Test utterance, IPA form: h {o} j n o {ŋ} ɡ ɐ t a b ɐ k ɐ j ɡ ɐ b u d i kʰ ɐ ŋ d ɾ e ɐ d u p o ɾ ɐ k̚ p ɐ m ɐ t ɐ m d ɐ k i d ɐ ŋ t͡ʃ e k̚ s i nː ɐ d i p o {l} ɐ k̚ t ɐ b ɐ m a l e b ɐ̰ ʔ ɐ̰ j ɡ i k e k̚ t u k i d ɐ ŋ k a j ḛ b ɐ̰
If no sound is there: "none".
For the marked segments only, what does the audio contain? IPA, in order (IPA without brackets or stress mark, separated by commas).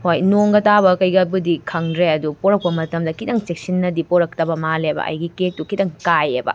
o, ŋ, ɾ